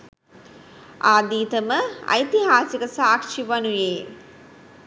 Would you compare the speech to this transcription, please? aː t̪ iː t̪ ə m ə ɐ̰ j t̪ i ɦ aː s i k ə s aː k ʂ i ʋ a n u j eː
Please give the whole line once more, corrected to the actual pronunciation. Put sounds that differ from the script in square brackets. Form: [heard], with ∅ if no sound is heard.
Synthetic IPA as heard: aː [d̪] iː t̪ ə m ə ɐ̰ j t̪ i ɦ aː s i k ə s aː k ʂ i ʋ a n u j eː